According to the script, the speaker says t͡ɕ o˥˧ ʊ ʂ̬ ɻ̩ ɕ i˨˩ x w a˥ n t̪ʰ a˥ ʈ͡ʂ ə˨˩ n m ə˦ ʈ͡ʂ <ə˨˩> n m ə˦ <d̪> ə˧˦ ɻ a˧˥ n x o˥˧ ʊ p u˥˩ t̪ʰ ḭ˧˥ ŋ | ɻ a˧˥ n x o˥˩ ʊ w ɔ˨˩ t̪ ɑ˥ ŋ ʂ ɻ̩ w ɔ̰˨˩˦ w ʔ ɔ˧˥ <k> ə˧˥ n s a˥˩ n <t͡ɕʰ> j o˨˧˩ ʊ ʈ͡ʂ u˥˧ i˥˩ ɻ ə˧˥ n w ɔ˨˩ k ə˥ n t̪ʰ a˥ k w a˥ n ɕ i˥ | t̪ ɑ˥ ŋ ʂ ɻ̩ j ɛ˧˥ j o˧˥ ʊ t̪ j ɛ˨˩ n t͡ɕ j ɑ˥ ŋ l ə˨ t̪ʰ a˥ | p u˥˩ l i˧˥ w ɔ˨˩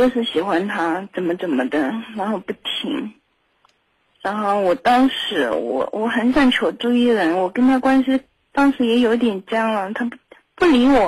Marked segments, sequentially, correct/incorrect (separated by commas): correct, correct, incorrect, correct